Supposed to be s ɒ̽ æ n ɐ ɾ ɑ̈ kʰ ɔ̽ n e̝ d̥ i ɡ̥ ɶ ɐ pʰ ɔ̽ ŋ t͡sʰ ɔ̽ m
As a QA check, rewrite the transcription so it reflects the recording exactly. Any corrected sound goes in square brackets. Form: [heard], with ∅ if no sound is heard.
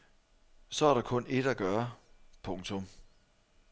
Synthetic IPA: s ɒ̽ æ [∅] ɐ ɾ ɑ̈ kʰ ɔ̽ n e̝ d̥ [æ] ɡ̥ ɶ ɐ pʰ ɔ̽ ŋ t͡sʰ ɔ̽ m